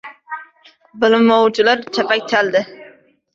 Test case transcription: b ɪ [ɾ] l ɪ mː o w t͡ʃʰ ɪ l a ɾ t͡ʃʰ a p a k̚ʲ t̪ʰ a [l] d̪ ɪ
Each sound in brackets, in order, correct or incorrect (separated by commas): incorrect, correct